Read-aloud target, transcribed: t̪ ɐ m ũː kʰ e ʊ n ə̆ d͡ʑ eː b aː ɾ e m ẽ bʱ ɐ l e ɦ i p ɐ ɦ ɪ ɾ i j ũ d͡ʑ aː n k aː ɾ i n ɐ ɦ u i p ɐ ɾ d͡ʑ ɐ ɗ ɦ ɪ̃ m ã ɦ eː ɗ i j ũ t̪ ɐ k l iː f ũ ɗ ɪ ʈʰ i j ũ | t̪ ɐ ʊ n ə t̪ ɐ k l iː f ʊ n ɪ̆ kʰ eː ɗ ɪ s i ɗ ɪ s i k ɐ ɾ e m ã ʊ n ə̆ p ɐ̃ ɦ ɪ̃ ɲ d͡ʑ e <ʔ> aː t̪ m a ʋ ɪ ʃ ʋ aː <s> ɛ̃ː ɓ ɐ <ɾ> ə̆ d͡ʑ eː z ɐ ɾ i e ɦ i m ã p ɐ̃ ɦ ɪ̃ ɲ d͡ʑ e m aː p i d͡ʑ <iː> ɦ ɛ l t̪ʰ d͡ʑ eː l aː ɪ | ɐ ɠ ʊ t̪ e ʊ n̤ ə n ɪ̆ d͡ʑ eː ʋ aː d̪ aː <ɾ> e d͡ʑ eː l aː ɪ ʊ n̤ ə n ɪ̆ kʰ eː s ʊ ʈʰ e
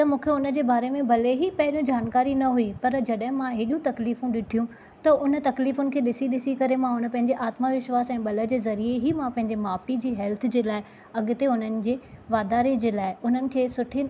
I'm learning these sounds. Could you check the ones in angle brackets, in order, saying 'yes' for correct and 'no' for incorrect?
yes, yes, no, yes, yes

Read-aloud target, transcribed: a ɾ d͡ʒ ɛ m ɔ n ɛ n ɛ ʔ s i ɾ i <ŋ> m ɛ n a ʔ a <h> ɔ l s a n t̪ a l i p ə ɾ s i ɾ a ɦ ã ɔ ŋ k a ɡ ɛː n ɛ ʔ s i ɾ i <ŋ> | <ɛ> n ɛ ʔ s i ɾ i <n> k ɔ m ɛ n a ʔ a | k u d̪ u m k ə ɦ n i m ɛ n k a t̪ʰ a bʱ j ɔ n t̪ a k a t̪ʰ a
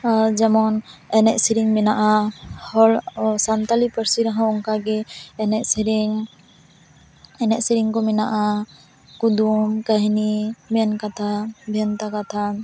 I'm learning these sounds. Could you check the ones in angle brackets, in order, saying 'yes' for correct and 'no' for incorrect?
yes, yes, yes, yes, no

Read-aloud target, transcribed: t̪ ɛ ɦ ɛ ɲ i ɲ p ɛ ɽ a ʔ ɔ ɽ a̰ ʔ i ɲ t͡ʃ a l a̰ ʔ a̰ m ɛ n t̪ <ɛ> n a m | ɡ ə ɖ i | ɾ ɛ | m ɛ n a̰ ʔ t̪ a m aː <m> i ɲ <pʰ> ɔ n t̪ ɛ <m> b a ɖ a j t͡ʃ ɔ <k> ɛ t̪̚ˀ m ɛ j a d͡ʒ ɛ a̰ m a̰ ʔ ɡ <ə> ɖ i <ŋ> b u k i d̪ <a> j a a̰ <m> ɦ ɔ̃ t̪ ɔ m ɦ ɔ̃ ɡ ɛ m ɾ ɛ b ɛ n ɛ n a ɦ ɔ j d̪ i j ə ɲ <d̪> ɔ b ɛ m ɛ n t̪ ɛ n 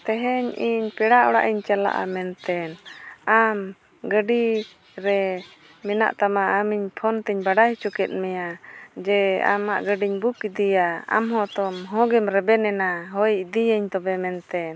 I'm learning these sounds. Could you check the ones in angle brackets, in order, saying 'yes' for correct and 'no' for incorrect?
yes, yes, yes, no, yes, yes, no, no, yes, no

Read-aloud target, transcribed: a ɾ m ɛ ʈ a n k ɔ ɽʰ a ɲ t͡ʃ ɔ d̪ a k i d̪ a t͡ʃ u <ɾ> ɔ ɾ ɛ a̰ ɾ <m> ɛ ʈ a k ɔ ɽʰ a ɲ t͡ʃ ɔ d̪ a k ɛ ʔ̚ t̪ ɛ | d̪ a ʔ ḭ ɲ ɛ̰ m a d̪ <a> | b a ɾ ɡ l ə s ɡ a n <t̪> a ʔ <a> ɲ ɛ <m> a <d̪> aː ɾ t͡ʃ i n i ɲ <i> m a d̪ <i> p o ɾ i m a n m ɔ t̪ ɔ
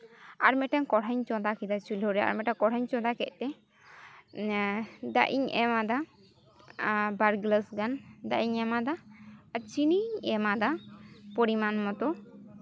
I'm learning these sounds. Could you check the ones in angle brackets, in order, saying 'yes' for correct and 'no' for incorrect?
no, yes, yes, no, no, yes, yes, no, no

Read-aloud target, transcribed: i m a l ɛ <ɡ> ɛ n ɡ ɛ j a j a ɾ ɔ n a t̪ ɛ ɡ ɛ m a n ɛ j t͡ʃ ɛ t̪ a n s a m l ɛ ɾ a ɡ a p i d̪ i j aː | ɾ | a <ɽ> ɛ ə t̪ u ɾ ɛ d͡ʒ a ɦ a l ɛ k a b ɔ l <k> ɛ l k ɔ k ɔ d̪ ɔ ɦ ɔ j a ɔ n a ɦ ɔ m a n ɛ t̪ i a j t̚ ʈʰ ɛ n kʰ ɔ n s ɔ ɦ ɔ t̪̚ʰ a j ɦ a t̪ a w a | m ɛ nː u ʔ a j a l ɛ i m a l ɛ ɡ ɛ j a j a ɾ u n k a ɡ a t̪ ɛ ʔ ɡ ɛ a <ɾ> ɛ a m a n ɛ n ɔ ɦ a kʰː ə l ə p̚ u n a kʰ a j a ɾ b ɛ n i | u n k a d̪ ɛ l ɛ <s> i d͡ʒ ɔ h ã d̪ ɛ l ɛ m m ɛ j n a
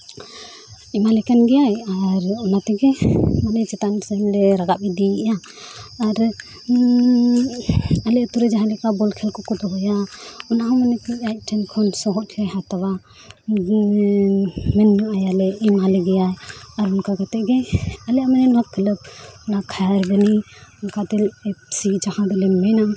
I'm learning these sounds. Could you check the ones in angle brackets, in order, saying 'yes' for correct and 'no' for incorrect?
no, no, no, no, yes

